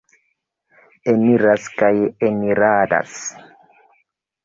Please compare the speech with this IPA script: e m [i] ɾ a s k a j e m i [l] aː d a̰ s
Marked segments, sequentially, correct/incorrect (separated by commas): correct, incorrect